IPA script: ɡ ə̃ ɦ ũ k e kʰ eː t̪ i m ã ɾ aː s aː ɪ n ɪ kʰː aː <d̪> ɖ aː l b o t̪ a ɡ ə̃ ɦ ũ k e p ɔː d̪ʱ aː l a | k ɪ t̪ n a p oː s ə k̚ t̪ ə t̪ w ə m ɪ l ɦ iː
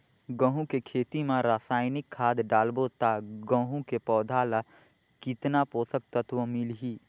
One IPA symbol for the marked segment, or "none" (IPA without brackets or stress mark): d̪